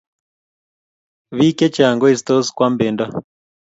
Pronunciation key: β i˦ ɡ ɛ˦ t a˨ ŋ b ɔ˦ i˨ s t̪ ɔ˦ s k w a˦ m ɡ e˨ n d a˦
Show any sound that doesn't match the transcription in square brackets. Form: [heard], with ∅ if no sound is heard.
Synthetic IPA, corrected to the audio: β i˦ [k] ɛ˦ [t͡ʃ] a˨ ŋ [ɡ] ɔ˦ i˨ s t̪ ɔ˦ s k w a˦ m [b] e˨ n d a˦